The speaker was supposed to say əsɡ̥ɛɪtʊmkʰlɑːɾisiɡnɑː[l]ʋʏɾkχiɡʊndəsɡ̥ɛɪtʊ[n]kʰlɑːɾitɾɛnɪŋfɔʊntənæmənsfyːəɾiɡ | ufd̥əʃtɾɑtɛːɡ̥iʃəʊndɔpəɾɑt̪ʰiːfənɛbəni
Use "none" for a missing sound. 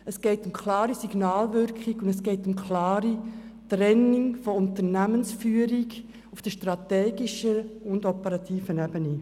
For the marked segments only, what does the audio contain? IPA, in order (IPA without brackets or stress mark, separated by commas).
l, m